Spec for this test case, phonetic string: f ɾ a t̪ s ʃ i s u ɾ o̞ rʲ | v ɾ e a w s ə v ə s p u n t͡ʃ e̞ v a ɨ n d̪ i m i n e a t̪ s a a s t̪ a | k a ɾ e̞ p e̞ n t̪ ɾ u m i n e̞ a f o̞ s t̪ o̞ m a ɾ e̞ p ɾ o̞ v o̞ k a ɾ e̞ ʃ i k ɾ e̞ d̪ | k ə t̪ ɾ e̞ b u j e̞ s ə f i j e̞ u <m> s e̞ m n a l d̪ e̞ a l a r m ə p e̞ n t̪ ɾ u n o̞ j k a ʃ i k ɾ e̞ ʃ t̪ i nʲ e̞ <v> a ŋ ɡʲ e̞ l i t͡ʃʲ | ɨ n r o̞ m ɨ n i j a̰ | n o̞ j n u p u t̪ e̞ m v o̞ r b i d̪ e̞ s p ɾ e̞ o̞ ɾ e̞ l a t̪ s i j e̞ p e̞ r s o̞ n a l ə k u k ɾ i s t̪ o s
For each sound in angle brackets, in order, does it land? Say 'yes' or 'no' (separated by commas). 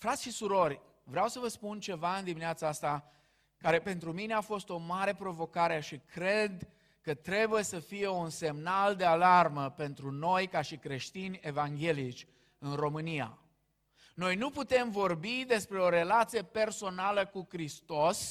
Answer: no, yes